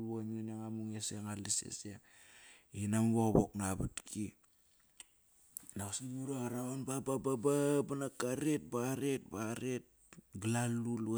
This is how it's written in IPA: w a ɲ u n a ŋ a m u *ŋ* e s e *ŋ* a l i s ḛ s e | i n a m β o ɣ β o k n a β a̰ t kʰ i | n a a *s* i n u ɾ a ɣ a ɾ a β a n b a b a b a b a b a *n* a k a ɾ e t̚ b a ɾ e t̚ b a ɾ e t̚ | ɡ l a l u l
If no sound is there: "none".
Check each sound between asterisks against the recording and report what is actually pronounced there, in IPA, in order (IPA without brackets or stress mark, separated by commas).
ŋ, ŋ, s, n